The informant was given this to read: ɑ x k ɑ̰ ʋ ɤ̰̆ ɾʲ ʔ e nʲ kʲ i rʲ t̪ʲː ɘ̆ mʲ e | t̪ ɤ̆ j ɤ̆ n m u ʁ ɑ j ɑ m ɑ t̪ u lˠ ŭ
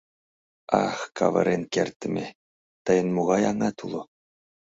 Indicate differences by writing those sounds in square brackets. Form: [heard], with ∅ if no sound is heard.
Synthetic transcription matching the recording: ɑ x k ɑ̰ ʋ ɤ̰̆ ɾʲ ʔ e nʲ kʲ [e] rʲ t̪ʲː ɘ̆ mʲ e | t̪ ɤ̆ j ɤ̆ n m u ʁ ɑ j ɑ [ŋ] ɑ t̪ u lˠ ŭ